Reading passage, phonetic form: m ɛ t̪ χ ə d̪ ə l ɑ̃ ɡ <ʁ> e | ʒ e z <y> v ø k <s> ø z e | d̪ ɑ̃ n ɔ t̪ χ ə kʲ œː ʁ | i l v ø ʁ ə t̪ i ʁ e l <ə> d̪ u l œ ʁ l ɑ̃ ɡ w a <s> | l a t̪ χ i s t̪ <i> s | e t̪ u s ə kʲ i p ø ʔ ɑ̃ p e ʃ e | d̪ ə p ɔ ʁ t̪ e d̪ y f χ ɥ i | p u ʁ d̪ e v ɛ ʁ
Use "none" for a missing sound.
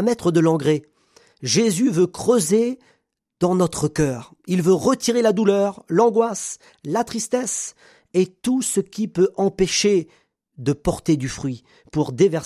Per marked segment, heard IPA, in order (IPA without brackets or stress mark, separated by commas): ʁ, y, χ, a, s, ɛ